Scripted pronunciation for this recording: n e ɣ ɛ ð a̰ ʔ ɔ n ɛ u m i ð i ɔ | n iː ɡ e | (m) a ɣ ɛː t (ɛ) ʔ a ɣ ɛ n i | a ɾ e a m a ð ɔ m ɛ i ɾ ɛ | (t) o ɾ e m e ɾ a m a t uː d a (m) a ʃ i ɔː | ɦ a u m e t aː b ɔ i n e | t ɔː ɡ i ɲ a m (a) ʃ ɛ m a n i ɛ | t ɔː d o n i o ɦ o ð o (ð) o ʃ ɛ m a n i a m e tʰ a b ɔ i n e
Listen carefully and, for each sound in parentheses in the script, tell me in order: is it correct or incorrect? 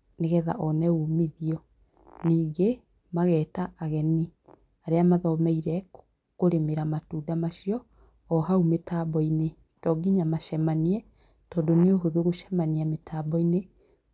correct, incorrect, incorrect, correct, correct, incorrect

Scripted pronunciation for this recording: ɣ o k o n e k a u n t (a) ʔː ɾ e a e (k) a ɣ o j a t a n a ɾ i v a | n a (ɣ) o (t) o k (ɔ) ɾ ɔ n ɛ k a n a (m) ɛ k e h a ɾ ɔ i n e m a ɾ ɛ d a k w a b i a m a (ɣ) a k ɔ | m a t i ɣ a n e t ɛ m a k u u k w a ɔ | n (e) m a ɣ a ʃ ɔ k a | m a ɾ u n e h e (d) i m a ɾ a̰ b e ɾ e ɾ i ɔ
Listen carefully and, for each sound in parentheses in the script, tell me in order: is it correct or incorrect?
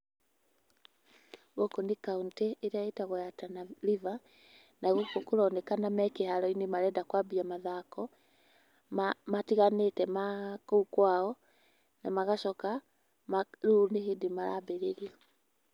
incorrect, incorrect, correct, incorrect, incorrect, correct, incorrect, incorrect, correct

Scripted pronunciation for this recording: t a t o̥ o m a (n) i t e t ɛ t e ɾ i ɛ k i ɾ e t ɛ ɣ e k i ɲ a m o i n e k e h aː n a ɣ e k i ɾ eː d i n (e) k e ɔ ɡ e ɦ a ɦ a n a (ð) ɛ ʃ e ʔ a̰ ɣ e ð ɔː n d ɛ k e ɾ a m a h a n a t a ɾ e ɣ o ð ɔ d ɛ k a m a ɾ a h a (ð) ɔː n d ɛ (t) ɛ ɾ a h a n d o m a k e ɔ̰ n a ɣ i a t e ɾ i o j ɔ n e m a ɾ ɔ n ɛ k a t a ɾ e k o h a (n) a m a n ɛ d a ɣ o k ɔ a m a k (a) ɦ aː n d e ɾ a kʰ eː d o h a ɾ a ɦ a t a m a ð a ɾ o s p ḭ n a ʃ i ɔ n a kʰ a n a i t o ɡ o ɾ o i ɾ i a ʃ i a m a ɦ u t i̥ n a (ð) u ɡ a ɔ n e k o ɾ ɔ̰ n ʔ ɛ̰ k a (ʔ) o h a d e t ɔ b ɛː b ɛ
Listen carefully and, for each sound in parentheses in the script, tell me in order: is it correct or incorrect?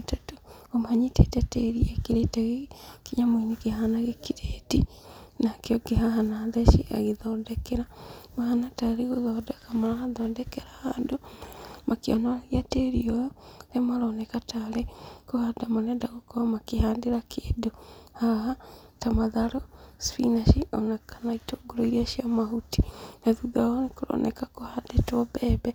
incorrect, incorrect, correct, correct, incorrect, incorrect, incorrect, correct, incorrect

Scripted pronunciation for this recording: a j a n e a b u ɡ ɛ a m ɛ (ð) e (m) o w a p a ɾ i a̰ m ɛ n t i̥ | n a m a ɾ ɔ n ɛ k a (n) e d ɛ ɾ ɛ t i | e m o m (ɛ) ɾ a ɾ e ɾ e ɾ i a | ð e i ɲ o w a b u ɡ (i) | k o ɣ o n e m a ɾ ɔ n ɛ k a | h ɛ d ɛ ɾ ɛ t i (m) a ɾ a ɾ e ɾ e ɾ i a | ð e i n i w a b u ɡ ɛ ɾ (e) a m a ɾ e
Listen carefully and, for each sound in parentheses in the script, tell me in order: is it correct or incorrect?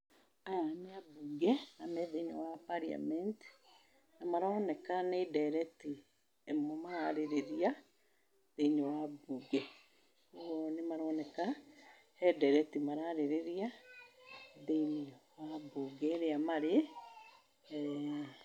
correct, incorrect, correct, incorrect, incorrect, correct, correct

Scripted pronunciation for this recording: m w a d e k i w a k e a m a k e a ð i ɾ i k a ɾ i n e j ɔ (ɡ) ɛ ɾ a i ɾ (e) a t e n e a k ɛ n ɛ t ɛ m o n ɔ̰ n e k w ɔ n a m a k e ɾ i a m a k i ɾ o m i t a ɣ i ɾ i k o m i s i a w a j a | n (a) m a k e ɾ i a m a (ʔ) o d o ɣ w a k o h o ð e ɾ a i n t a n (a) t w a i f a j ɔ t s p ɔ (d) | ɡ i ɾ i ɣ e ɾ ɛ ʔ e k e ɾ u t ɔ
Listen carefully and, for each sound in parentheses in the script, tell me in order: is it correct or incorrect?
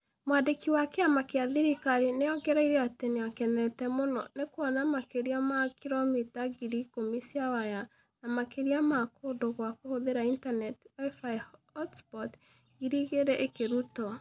correct, correct, correct, incorrect, incorrect, incorrect

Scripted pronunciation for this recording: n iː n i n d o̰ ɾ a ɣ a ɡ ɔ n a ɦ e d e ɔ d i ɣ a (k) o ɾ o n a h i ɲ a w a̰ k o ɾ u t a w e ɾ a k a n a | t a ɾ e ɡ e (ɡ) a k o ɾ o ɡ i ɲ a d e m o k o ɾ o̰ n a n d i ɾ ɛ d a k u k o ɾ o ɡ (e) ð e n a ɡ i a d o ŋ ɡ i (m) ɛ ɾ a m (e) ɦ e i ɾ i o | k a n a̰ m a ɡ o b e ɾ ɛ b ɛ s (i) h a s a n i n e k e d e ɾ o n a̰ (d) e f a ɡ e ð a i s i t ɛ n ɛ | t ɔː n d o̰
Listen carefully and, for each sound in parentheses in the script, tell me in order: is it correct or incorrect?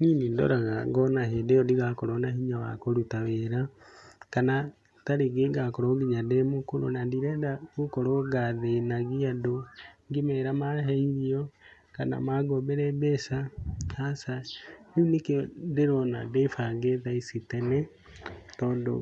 correct, correct, incorrect, correct, incorrect, incorrect, correct

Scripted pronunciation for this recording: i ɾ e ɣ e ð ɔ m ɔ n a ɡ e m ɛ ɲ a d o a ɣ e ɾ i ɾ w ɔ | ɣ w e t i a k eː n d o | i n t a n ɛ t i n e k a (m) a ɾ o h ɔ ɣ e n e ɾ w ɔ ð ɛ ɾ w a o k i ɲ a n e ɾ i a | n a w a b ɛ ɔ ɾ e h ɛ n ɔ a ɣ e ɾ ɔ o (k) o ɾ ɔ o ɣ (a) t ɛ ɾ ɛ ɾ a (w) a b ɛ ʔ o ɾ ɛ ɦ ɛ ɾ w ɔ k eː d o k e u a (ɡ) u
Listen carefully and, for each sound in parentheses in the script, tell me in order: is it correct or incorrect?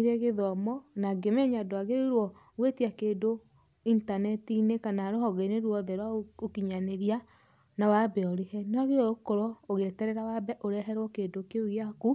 incorrect, correct, incorrect, correct, incorrect

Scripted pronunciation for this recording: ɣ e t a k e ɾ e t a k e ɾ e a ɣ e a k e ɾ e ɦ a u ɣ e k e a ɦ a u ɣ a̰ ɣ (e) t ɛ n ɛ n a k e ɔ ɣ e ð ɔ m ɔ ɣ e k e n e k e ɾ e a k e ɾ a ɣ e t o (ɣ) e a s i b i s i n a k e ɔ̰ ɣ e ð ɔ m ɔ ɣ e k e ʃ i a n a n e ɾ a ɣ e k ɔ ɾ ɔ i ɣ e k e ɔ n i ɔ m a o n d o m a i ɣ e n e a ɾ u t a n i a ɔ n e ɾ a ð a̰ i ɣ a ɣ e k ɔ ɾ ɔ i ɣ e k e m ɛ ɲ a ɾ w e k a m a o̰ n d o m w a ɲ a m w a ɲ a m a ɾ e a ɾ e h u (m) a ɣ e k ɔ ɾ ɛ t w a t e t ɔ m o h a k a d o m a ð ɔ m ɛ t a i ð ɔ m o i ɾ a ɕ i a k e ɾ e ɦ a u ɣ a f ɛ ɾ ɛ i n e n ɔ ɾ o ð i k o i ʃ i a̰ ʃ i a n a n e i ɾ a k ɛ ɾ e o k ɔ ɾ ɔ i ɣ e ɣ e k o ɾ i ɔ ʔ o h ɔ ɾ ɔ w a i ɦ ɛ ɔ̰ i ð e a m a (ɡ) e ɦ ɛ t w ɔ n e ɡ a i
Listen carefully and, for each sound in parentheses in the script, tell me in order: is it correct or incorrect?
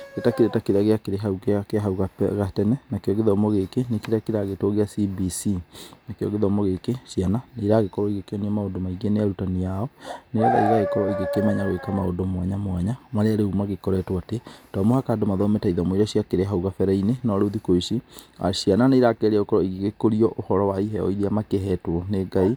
incorrect, correct, correct, incorrect

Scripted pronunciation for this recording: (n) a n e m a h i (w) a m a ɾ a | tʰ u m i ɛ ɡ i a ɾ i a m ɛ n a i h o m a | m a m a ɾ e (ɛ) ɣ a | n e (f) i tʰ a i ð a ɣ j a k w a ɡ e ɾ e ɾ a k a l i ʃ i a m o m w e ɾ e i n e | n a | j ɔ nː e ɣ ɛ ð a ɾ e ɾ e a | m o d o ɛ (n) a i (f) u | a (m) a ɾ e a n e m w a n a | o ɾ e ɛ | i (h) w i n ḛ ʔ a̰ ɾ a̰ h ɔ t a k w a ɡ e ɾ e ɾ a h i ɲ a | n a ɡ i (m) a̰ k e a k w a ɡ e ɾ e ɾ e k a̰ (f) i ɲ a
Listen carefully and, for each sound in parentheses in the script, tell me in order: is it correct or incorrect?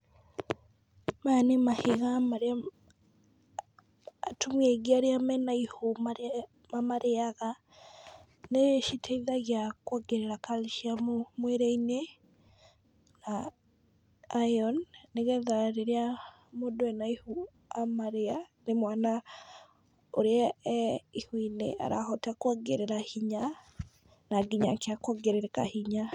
incorrect, incorrect, incorrect, incorrect, correct, incorrect, correct, correct, incorrect, incorrect

